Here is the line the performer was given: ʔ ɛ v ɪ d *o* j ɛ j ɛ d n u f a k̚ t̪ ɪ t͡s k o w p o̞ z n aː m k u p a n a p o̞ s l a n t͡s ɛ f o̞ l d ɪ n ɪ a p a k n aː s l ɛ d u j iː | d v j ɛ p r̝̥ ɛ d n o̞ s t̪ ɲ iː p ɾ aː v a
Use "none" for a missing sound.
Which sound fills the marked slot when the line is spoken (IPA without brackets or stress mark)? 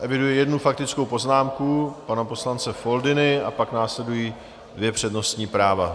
u